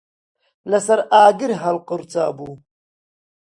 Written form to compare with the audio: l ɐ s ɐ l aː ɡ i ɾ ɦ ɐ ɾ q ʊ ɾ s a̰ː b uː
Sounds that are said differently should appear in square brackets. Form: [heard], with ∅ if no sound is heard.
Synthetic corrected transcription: l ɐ s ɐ [ɾ] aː ɡ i ɾ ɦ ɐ [l] q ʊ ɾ [t͡s] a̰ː b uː